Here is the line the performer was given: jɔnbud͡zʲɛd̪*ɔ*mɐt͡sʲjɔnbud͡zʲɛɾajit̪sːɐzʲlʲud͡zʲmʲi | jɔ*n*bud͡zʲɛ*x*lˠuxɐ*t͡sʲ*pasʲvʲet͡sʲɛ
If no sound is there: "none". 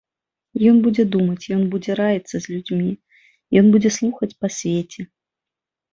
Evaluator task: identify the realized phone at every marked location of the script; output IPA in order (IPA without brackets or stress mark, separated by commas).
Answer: u, n, s, t͡sʲ